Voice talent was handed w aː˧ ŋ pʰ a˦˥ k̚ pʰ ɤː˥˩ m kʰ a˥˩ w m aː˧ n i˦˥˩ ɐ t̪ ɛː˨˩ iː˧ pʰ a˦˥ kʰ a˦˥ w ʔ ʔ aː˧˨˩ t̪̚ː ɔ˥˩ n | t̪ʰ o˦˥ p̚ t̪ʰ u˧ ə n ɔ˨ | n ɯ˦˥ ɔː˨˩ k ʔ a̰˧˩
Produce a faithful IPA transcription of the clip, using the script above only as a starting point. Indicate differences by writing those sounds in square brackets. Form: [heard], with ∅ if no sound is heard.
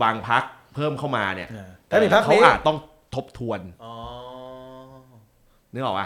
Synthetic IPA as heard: w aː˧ ŋ pʰ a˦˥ k̚ pʰ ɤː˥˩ m kʰ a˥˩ w m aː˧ n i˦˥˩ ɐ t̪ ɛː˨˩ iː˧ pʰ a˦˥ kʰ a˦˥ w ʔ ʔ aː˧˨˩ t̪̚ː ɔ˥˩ [ŋ] | t̪ʰ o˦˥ p̚ t̪ʰ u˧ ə n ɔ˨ | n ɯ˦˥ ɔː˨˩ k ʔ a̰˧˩